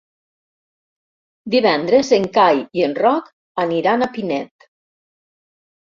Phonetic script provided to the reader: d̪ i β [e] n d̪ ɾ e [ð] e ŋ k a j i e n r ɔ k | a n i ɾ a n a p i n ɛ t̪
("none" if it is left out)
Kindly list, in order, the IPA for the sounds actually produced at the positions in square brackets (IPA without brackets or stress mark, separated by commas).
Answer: ɛ, z